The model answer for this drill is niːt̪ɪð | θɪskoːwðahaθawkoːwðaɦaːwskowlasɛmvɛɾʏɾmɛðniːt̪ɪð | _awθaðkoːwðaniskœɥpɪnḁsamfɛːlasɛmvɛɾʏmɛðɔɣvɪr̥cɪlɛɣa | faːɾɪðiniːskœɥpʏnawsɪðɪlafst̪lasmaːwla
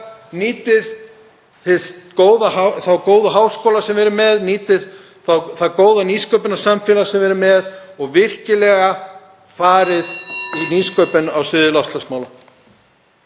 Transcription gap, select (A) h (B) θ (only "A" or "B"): B